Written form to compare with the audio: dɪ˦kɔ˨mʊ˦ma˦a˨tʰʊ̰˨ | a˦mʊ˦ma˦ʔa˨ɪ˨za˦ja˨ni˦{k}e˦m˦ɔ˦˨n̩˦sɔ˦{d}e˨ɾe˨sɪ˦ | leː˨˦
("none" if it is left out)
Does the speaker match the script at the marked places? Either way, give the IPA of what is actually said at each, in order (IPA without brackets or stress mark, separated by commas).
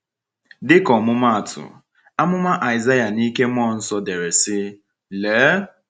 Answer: k, d